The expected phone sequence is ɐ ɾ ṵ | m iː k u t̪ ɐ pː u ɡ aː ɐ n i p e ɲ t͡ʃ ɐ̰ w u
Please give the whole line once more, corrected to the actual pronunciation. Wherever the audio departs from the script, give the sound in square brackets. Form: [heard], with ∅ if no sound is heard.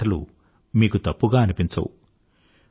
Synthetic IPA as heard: ɐ [l] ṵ | m iː k u t̪ ɐ pː u ɡ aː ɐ n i p [i] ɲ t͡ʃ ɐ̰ w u